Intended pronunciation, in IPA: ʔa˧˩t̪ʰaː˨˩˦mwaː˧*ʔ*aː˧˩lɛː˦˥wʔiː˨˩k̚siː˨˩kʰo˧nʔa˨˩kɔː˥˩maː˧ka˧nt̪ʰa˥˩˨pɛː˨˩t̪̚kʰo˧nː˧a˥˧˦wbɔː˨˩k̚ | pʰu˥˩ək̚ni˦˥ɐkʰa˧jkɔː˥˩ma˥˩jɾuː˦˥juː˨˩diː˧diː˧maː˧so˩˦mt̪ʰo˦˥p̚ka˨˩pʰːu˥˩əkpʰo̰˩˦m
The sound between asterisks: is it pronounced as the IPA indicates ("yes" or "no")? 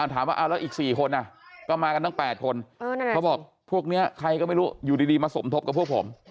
yes